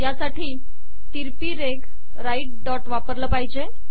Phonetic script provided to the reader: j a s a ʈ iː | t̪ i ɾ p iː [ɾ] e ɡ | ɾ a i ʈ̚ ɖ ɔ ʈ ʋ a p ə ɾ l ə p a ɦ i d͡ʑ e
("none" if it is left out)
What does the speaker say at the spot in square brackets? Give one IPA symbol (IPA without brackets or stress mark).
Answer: ɾ